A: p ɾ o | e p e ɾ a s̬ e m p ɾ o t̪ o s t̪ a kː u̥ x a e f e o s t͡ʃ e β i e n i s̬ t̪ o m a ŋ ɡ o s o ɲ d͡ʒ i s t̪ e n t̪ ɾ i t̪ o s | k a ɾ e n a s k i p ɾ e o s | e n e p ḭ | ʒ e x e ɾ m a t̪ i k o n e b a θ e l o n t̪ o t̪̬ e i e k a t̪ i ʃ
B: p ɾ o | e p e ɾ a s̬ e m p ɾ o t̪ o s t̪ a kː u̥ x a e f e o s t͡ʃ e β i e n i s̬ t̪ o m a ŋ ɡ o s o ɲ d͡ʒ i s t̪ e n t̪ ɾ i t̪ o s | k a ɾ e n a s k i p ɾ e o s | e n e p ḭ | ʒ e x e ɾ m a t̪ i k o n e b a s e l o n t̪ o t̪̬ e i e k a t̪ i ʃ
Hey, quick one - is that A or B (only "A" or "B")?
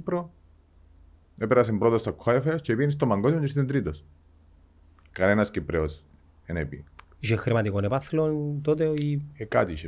A